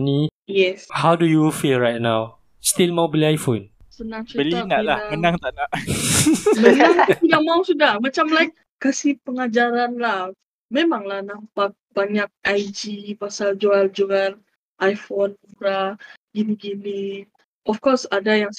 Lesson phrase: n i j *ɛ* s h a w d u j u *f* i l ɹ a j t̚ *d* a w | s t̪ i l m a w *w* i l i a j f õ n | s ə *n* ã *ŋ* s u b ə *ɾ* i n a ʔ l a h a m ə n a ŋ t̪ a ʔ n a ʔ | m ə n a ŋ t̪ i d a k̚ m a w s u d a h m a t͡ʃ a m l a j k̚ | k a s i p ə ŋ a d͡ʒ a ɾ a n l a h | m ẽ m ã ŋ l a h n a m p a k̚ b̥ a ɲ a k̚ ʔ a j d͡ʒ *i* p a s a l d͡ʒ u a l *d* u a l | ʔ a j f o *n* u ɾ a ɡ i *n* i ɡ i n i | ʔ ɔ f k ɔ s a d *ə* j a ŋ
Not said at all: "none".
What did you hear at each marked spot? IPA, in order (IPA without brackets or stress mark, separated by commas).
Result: ɛ, f, n, b, n, ŋ, l, i, d͡ʒ, n, n, a